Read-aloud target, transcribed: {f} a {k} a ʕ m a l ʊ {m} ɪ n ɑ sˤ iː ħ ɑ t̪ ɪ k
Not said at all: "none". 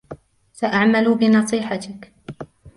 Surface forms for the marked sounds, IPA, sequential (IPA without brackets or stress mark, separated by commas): s, ʔ, b